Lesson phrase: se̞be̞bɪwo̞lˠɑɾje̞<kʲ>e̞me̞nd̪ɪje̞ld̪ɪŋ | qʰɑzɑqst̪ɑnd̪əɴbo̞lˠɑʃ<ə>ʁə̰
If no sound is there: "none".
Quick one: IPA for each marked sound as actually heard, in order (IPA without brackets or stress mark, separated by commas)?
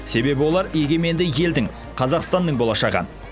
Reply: ɡʲ, ɑ